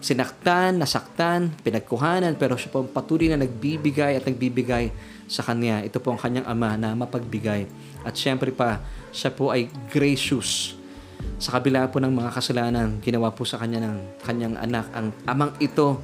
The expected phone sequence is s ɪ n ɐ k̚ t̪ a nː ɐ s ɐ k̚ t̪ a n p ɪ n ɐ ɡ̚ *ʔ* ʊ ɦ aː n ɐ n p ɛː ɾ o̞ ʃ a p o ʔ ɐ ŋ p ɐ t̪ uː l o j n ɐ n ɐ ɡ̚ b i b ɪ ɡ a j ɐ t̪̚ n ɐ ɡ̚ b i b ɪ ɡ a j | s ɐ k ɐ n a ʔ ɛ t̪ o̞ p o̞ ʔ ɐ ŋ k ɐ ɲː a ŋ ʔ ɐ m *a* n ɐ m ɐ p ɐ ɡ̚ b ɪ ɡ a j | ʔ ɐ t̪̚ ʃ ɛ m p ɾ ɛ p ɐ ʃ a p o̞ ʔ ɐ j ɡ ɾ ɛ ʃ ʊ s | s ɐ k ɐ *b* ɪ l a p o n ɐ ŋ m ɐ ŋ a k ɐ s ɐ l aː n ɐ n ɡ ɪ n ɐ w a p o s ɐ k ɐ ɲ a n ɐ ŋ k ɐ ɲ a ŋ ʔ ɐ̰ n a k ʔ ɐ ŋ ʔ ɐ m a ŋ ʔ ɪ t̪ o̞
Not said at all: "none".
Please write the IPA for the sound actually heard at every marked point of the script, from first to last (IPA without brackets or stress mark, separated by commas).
k, a, b